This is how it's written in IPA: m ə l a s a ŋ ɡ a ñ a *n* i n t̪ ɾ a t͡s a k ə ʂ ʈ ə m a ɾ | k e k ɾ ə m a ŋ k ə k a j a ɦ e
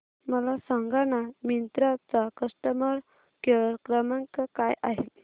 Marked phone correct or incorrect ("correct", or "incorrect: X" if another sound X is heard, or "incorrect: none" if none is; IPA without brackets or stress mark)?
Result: incorrect: m